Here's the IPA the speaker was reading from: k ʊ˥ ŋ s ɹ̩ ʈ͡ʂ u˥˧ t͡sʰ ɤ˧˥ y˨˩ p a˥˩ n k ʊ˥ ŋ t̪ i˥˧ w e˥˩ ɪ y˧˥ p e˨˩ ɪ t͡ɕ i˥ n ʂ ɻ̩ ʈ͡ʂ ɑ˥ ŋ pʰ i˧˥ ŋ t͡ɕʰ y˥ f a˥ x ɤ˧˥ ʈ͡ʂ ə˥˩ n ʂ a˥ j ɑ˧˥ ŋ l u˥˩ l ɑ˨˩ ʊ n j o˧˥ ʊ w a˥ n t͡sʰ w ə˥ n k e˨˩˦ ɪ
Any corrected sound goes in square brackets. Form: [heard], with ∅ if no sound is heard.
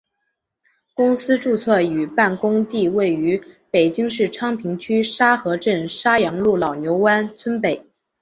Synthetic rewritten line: k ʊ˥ ŋ s ɹ̩ ʈ͡ʂ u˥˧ t͡sʰ [ɤ˥˩] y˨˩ p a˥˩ n k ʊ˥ ŋ t̪ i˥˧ w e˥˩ ɪ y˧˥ p e˨˩ ɪ t͡ɕ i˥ [ŋ] ʂ ɻ̩ [ʈ͡ʂʰ] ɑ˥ ŋ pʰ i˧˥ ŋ t͡ɕʰ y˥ [ʂ] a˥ x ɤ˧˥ ʈ͡ʂ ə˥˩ n ʂ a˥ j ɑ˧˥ ŋ l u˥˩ l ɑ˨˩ ʊ n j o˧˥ ʊ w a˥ n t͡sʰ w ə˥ n [p] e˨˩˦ ɪ